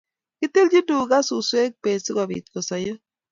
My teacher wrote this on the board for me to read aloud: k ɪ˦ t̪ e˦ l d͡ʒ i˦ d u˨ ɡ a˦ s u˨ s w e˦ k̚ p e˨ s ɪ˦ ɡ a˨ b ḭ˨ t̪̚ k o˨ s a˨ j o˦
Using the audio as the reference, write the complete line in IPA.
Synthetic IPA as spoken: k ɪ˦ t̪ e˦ l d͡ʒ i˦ d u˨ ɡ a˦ s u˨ s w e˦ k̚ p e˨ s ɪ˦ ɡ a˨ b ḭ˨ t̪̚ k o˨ s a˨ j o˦